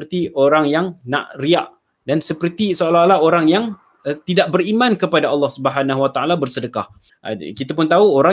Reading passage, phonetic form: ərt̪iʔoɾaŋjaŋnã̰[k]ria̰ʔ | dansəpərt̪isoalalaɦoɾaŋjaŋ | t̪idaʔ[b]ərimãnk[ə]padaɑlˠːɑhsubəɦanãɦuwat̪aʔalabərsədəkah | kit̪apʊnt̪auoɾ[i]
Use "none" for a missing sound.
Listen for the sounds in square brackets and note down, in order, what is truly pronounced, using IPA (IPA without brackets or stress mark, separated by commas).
ʔ, b, ə, a